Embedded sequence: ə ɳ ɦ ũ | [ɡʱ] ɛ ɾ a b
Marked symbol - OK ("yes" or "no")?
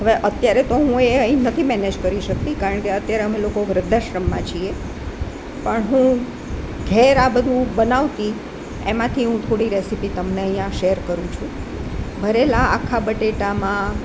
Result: yes